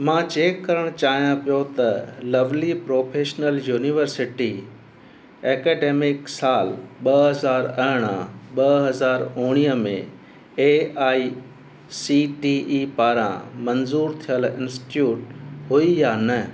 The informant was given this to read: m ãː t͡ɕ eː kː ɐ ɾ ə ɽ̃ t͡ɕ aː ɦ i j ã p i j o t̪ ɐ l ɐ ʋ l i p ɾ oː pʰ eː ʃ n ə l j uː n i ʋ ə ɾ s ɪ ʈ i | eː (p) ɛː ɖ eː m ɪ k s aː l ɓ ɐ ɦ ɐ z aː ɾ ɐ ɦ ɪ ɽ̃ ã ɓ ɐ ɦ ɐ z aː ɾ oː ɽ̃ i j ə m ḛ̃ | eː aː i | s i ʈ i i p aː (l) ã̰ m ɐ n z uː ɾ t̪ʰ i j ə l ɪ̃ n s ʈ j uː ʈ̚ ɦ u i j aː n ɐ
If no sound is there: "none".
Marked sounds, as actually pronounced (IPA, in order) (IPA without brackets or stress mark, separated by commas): k, ɾ